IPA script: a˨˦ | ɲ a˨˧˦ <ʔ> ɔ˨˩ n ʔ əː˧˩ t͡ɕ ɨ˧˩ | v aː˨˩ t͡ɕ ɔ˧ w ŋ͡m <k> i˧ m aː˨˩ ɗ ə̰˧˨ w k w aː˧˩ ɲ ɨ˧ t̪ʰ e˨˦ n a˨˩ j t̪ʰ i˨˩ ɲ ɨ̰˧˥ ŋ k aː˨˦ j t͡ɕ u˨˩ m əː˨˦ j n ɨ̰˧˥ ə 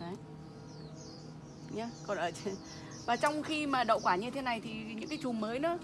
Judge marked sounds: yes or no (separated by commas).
no, no